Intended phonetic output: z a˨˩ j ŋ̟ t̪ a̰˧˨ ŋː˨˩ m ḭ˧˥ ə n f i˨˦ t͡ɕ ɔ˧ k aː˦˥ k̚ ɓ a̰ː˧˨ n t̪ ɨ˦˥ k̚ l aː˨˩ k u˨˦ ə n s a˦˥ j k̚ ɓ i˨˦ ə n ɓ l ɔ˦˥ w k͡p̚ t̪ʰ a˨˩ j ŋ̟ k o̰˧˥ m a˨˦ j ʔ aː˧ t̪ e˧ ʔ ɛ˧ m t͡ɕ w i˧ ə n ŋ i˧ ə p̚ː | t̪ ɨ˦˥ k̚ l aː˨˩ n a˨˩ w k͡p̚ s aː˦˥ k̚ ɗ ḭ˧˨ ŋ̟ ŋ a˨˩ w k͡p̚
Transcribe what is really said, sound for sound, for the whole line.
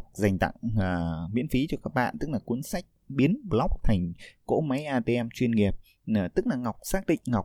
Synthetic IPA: z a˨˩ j ŋ̟ t̪ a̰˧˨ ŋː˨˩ m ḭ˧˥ ə n f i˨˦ t͡ɕ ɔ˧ k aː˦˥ k̚ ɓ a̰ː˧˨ n t̪ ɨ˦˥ k̚ l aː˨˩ k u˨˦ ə n s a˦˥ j k̚ ɓ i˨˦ ə n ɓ l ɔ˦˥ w k͡p̚ t̪ʰ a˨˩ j ŋ̟ k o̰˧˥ m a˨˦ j ʔ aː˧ t̪ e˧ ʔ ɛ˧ m t͡ɕ w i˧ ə n ŋ i˨˩ ə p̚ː | t̪ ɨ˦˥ k̚ l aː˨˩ ŋ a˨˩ w k͡p̚ s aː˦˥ k̚ ɗ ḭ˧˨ ŋ̟ ŋ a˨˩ w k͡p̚